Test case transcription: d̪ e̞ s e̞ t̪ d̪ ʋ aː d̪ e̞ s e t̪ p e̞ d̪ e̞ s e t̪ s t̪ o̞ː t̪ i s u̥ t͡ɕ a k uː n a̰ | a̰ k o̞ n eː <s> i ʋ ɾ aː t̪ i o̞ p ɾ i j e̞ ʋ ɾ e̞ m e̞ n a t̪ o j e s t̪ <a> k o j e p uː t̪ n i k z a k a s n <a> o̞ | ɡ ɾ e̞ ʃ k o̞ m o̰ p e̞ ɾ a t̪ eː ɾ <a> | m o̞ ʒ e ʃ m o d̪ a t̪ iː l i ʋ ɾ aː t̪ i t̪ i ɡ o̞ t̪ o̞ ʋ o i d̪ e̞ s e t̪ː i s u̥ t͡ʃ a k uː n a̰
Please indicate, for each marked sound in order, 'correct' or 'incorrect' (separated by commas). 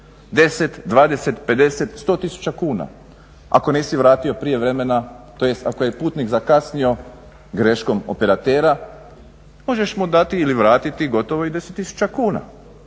correct, correct, incorrect, correct